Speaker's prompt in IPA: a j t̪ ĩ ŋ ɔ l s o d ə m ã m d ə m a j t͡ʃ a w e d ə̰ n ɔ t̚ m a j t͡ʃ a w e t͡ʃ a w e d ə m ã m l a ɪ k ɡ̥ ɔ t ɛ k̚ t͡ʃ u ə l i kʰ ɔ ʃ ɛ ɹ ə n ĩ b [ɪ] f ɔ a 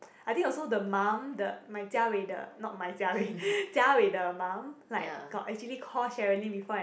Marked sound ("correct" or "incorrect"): incorrect